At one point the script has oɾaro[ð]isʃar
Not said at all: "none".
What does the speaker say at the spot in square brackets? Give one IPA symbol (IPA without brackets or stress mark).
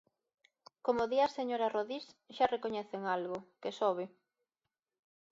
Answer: ð